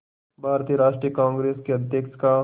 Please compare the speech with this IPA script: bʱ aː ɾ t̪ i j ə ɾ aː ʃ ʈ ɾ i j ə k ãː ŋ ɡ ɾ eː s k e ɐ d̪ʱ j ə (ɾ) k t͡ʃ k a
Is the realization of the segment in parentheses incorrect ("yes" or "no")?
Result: yes